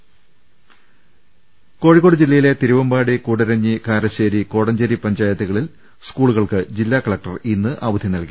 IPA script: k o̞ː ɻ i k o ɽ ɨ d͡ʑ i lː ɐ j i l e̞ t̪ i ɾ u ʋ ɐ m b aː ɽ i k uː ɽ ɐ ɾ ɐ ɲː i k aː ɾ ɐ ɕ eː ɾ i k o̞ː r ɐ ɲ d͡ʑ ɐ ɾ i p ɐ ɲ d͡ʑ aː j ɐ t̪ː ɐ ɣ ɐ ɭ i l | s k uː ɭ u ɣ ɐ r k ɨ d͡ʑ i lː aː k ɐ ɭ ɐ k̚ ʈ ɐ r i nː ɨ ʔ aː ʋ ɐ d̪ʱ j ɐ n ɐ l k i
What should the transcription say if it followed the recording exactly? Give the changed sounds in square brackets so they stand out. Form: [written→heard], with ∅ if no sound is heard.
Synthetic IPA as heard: k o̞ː ɻ i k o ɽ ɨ d͡ʑ i lː ɐ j i l e̞ t̪ i ɾ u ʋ ɐ m b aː ɽ i k uː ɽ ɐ ɾ ɐ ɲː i k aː ɾ ɐ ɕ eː ɾ i k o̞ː [r→ɽ] ɐ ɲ d͡ʑ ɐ ɾ i p ɐ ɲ d͡ʑ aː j ɐ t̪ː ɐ ɣ ɐ ɭ i l | s k uː ɭ u ɣ ɐ [r→ɭ] k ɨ d͡ʑ i lː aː k ɐ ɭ ɐ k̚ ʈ ɐ r i nː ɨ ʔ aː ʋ ɐ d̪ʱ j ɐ n ɐ l k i